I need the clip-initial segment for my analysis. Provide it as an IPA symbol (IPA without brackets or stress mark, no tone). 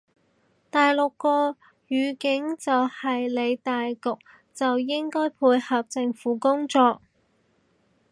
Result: t̪